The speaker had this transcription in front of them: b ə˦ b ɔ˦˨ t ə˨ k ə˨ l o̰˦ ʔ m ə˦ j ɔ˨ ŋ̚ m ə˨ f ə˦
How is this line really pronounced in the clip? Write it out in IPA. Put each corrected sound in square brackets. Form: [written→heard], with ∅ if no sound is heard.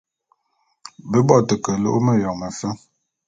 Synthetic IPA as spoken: b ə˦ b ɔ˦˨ t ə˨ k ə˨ l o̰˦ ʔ m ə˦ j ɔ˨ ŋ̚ m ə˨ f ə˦